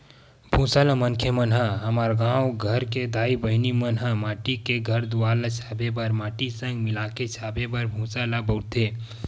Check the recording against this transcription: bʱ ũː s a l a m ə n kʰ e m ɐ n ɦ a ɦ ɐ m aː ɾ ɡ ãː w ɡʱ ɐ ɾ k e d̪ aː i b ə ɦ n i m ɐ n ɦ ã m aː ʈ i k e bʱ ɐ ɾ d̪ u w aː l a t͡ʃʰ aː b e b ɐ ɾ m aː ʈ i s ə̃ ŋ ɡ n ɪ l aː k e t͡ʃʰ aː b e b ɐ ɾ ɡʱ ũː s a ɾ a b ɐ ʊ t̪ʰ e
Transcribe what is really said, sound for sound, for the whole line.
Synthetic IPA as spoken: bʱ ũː s a l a m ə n kʰ e m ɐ n ɦ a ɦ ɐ m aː ɾ ɡ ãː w ɡʱ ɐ ɾ k e d̪ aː i b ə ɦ n i m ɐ n ɦ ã m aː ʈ i k e ɡʱ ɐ ɾ d̪ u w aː l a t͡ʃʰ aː b e b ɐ ɾ m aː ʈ i s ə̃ ŋ ɡ m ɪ l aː k e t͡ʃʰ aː b e b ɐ ɾ bʱ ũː s a l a b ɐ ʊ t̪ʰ e